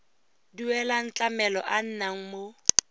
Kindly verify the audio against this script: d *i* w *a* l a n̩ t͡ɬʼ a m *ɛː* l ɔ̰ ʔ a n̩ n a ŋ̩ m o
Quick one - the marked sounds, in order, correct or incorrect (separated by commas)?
correct, incorrect, incorrect